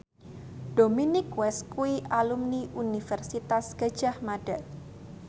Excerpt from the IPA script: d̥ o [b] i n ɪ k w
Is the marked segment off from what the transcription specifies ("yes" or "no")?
yes